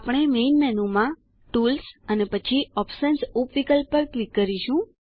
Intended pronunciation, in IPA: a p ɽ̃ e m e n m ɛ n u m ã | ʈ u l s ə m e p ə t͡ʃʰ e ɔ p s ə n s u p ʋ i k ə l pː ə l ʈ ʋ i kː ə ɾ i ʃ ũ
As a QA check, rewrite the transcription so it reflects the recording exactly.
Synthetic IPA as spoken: a p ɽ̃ e m e n m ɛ n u m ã | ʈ u l s ə n e p ə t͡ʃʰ i ɔ p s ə n s u p ʋ i k ə l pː ə ɾ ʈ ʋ i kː ə ɾ i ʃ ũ

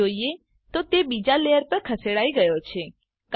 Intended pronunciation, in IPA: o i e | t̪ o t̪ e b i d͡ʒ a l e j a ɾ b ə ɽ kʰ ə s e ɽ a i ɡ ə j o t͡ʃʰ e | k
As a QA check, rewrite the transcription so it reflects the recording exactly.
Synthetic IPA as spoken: o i e | t̪ o t̪ e b i d͡ʒ a l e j ə ɾ p ə ɾ kʰ ə s e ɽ a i ɡ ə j o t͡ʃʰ e | k

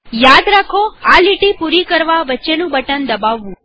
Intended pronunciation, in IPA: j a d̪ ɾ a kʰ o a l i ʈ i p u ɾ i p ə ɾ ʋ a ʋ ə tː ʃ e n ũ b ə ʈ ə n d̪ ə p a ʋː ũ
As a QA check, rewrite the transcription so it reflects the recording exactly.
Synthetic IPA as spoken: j a d̪ ɾ a kʰ o a l i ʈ i p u ɾ i k ə ɾ ʋ a ʋ ə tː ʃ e n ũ b ə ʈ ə n d̪ ə b a ʋː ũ

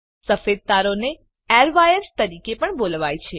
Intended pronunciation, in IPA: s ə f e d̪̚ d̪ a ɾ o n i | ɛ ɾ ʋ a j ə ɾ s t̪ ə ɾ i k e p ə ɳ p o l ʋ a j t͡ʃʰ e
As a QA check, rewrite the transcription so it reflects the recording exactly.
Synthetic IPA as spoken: s ə f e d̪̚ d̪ a ɾ o n e | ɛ ɾ ʋ a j ə ɾ s t̪ ə ɾ i k e p ə ɳ b o l ʋ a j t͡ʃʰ e

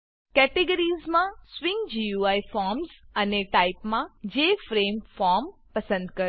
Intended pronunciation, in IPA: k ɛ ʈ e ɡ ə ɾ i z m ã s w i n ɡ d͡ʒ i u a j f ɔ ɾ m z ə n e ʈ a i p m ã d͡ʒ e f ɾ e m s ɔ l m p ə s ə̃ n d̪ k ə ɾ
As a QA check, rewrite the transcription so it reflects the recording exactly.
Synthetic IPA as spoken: k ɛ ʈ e ɡ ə ɾ i z m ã s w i ŋ ɡ d͡ʒ i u a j f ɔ ɾ m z ə n e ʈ a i p m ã d͡ʒ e f ɾ e m f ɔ ɾ m p ə s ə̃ n d̪ k ə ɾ

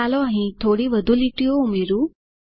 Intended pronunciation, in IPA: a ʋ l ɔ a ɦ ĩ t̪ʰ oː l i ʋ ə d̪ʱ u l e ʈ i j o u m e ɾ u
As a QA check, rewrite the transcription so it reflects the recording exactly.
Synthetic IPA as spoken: a l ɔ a ɦ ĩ t̪ʰ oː ɽ i ʋ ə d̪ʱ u l i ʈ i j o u m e ɾ u

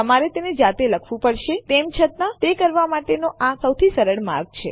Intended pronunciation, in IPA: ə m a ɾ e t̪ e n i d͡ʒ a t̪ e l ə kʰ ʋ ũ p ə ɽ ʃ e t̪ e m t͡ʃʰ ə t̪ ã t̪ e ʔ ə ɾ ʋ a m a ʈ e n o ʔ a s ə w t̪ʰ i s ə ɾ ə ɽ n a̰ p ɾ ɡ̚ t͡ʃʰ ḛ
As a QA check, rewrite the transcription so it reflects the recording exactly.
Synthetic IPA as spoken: ə m a ɾ e t̪ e n e d͡ʒ a t̪ e l ə kʰ ʋ ũ p ə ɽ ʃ e t̪ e m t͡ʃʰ ə t̪ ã t̪ e k ə ɾ ʋ a m a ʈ e n o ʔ a s ə w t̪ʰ i s ə ɾ ə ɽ m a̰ ɾ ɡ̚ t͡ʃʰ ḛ

